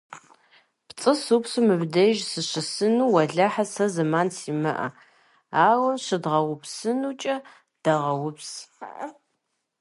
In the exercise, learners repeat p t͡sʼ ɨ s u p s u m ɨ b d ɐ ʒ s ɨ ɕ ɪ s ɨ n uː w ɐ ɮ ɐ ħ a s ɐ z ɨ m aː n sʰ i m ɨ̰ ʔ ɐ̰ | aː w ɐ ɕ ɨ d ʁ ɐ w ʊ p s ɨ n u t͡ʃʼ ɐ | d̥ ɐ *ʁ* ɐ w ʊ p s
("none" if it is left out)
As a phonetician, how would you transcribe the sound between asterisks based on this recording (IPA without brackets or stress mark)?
ʁ